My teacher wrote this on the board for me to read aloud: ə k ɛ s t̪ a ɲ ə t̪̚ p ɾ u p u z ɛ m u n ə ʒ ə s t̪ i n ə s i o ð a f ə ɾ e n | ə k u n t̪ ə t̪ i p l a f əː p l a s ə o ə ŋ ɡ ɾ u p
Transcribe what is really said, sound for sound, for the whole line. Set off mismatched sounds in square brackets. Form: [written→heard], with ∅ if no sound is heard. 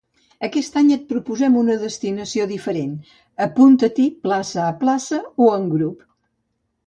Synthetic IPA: ə k ɛ s t̪ a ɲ ə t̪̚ p ɾ u p u z ɛ m u n ə [ʒ→ð] ə s t̪ i n ə s i o ð [a→i] f ə ɾ e n | ə [k→p] u n t̪ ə t̪ i p l a [f→s] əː p l a s ə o ə ŋ ɡ ɾ u p

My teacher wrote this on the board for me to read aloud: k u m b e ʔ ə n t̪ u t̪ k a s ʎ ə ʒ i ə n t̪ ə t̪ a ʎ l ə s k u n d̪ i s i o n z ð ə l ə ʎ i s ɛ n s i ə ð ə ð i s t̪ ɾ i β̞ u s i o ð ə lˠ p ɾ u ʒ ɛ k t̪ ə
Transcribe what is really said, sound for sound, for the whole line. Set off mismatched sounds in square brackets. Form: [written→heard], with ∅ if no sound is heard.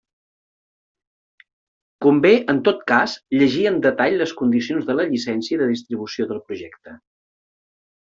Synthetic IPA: k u m b e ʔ ə n t̪ [u→o] t̪ k a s ʎ ə ʒ i ə n [t̪→d̪] ə t̪ a ʎ l ə s k u n d̪ i s i o n z ð ə l ə ʎ i s ɛ n s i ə ð ə ð i s t̪ ɾ i β̞ u s i o ð ə lˠ p ɾ u ʒ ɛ k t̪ ə

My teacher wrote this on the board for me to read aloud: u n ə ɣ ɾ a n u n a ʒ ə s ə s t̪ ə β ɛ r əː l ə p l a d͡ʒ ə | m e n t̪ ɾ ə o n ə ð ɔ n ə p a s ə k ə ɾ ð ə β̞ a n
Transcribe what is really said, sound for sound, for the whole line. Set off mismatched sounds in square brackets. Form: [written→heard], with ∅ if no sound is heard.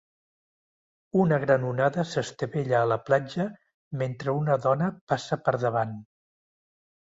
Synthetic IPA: u n ə ɣ ɾ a n u n a [ʒ→ð] ə s ə s t̪ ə β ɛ [r→ʎ] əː l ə p l a d͡ʒ ə | m e n t̪ ɾ ə [o→u] n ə ð ɔ n ə p a s ə [k→p] ə ɾ ð ə β̞ a n

